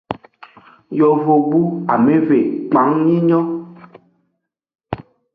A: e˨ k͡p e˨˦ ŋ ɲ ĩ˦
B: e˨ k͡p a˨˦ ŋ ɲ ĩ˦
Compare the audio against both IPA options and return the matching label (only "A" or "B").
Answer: B